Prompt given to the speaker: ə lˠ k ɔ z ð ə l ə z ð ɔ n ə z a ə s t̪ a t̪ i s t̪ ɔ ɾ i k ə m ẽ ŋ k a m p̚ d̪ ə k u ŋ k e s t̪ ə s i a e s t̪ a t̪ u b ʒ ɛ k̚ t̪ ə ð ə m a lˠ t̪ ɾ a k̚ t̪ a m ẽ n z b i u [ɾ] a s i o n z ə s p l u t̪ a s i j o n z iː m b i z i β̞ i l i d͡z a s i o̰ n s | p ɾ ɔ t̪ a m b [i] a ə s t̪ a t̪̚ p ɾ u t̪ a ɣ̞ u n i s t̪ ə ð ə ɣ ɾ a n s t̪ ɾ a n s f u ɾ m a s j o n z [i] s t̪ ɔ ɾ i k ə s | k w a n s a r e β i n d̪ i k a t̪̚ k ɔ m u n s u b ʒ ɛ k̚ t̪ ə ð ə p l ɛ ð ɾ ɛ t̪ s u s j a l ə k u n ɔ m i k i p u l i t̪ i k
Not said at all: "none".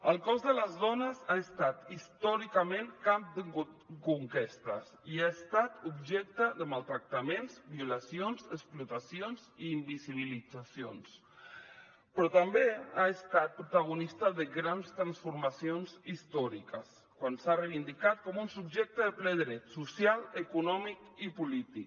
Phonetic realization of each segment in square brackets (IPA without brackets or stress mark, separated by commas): l, e, i